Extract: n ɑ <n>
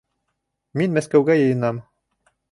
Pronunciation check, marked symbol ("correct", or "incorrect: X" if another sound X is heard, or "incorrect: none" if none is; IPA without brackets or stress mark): incorrect: m